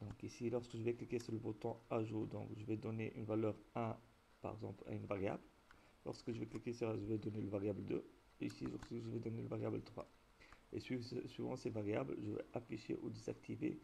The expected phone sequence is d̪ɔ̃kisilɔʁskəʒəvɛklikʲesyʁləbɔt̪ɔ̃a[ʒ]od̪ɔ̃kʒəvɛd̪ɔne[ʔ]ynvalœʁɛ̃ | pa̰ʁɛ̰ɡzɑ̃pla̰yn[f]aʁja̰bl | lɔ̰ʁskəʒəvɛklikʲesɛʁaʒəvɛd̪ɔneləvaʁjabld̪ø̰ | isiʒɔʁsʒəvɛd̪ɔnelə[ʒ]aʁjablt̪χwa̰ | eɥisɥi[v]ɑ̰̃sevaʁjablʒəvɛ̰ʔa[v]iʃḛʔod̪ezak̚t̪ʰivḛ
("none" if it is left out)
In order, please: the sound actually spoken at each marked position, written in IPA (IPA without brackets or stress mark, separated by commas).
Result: ʒ, ʔ, v, v, v, f